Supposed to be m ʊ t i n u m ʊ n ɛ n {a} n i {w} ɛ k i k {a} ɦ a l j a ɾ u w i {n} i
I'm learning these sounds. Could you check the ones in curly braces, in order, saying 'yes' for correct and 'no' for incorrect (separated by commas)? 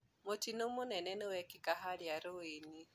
no, yes, yes, yes